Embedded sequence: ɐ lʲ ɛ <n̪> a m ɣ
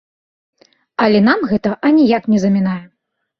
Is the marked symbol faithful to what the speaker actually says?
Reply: yes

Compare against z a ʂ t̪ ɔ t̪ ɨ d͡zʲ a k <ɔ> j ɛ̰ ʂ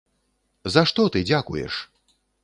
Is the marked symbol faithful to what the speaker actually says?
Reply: no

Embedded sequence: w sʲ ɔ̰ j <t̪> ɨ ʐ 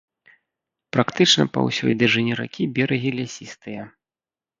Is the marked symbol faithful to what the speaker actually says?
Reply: no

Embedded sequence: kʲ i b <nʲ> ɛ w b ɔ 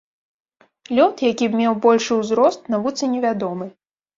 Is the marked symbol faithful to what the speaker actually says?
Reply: no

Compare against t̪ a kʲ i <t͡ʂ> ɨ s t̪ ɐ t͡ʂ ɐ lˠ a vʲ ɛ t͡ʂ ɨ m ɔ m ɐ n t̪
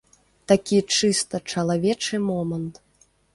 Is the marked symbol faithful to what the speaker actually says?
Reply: yes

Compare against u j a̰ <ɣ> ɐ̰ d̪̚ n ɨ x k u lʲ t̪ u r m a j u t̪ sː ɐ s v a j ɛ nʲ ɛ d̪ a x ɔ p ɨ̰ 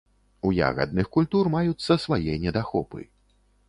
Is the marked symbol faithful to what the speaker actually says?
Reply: yes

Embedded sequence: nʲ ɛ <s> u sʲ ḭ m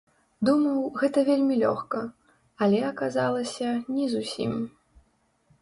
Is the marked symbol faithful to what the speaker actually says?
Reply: no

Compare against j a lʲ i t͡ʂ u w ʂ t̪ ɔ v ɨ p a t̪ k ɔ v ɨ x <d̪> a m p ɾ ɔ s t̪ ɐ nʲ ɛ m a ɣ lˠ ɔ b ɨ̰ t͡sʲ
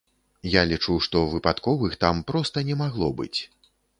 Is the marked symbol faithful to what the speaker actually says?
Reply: no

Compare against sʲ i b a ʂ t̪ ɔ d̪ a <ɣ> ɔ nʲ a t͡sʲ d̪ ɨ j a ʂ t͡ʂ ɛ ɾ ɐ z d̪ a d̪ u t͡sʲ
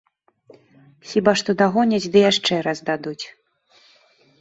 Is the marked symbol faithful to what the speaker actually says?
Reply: yes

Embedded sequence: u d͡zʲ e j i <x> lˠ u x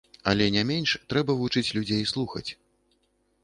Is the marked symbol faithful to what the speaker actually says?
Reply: no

